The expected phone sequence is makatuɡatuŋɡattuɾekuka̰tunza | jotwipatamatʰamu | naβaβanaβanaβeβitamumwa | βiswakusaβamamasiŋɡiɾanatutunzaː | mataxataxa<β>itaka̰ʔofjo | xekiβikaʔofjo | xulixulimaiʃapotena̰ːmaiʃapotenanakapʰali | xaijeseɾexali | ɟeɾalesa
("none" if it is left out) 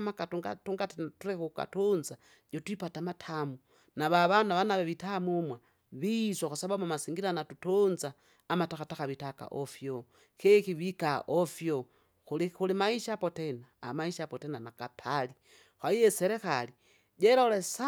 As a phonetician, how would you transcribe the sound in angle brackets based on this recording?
β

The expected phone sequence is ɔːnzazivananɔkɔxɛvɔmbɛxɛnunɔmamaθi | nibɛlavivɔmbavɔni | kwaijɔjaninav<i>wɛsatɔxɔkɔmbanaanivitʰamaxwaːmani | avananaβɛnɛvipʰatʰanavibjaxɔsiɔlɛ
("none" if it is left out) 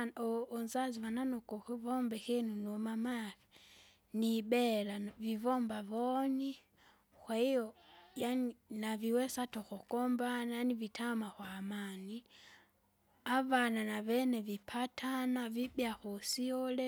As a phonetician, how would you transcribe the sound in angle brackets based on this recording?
i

